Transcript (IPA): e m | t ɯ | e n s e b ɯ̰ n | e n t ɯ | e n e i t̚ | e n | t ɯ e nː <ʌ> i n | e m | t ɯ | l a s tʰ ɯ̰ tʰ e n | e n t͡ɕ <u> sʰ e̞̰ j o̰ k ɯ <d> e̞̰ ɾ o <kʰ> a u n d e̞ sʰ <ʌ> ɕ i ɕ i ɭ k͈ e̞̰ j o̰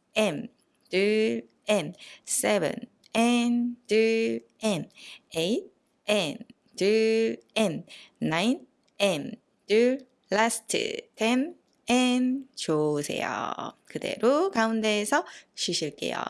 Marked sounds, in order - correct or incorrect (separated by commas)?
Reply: incorrect, incorrect, correct, incorrect, correct